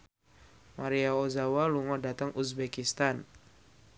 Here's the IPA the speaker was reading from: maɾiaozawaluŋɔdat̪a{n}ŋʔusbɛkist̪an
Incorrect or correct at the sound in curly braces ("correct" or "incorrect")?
incorrect